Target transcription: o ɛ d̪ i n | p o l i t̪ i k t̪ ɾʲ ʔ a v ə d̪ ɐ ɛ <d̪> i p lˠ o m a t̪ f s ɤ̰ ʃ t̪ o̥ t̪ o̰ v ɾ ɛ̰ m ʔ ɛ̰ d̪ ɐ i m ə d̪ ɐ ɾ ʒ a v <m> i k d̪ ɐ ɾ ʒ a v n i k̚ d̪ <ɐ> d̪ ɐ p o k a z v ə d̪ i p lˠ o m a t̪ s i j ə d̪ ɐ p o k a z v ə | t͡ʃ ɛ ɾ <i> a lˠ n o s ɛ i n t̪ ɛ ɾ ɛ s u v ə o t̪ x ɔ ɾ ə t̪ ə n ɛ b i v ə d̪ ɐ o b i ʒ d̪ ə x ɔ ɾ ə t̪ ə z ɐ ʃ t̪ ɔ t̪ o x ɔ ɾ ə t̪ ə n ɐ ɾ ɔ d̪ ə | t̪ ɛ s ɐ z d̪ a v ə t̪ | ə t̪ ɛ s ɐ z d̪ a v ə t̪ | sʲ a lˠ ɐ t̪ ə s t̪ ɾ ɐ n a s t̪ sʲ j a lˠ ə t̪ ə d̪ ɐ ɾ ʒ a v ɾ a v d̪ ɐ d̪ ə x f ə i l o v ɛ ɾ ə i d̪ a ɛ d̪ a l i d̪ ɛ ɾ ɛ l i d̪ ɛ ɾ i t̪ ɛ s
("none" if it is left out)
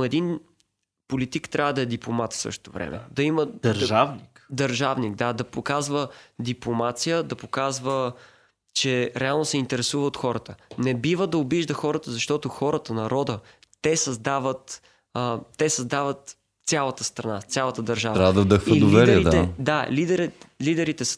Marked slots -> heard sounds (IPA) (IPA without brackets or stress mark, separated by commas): d̪, n, a, ɛ